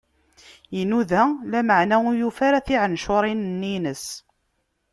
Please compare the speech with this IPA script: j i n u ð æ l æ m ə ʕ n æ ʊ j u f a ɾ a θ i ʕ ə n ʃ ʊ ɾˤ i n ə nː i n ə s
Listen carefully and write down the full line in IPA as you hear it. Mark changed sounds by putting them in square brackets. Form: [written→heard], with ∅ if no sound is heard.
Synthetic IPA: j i n u ð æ l æ m ə ʕ n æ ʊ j u f a ɾ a θ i ʕ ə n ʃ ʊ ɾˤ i n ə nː i n ə s